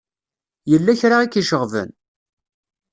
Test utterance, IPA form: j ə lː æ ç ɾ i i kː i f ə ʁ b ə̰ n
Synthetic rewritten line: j ə lː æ ç ɾ a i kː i ʃ ə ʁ v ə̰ n